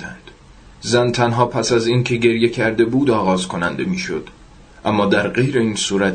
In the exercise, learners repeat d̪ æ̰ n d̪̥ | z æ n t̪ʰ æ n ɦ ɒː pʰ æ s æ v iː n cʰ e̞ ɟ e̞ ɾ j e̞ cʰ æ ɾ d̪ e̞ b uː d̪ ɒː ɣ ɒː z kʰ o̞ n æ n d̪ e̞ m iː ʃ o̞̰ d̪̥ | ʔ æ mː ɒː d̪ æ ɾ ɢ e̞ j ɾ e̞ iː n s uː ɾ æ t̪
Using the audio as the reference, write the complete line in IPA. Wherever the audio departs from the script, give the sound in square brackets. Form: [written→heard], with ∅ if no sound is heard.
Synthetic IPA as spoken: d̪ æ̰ n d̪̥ | z æ n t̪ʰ æ n ɦ ɒː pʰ æ s æ [v→z] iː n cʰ e̞ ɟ e̞ ɾ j e̞ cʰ æ ɾ d̪ e̞ b uː d̪ ɒː ɣ ɒː z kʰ o̞ n æ n d̪ e̞ m iː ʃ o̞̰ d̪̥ | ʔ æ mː ɒː d̪ æ ɾ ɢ e̞ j ɾ e̞ iː n s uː ɾ æ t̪